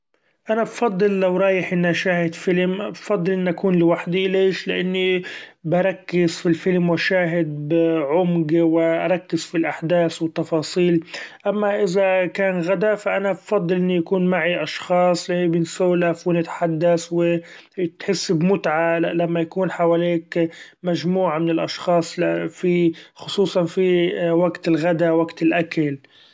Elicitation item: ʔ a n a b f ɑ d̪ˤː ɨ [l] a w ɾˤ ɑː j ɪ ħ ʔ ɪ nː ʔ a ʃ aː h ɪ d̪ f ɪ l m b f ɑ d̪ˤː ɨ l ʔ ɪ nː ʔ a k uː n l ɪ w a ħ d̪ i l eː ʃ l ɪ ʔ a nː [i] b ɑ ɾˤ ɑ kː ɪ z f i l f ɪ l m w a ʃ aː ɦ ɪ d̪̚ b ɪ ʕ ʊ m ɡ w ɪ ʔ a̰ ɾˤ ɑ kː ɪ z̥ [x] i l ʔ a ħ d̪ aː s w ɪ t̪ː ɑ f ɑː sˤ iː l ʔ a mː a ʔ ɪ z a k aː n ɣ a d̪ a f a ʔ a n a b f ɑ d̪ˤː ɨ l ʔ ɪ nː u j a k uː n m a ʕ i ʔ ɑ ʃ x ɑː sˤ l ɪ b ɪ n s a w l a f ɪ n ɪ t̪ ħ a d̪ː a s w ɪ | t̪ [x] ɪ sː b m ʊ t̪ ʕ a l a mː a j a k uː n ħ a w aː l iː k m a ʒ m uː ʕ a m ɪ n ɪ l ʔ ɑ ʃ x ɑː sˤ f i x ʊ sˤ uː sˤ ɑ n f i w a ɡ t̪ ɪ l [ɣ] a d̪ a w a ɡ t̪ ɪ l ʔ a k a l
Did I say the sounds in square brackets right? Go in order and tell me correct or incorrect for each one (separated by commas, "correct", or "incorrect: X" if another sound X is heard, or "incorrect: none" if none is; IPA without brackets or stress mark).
incorrect: lː, correct, incorrect: f, incorrect: ħ, correct